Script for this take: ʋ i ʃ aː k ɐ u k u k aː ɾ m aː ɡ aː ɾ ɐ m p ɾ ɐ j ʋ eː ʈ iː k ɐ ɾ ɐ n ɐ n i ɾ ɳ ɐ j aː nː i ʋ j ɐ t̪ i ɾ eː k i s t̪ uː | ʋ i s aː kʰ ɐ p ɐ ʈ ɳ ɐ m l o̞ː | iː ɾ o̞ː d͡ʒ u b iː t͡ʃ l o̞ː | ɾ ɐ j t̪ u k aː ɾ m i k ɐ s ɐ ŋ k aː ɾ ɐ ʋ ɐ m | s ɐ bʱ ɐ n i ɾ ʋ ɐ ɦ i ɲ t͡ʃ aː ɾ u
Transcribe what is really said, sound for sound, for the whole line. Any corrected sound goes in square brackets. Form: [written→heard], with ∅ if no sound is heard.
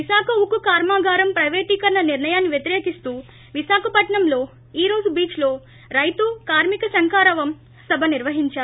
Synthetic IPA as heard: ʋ i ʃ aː k ɐ u k u k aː ɾ m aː ɡ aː ɾ ɐ m p ɾ ɐ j ʋ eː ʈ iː k ɐ ɾ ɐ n ɐ n i ɾ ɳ ɐ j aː nː i ʋ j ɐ t̪ i ɾ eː k i s t̪ uː | ʋ i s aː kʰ ɐ p ɐ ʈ ɳ ɐ m l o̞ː | iː ɾ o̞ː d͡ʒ u b iː t͡ʃ l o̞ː | ɾ ɐ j t̪ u k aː ɾ m i k ɐ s ɐ ŋ k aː ɾ ɐ ʋ ɐ m | s ɐ bʱ ɐ n i ɾ ʋ ɐ ɦ i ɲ t͡ʃ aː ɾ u